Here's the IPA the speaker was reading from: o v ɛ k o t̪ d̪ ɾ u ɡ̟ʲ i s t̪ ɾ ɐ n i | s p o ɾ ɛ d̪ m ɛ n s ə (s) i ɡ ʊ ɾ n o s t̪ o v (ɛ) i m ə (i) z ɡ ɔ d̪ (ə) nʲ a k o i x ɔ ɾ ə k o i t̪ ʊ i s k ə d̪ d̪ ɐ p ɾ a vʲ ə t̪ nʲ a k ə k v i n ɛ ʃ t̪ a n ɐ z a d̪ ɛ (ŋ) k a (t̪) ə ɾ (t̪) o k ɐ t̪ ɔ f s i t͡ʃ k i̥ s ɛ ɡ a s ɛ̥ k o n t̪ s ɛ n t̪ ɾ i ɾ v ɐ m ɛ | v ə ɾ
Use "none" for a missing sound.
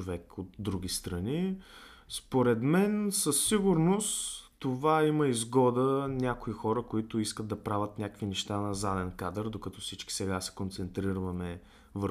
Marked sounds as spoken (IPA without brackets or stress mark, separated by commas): sː, a, i, ə, n, d̪, d̪